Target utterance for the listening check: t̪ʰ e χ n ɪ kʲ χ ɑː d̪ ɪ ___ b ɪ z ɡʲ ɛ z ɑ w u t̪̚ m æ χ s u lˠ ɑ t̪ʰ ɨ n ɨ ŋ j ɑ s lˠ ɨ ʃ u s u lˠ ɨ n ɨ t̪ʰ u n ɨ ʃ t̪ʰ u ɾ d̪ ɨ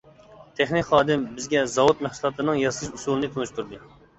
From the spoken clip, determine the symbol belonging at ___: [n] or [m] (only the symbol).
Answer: m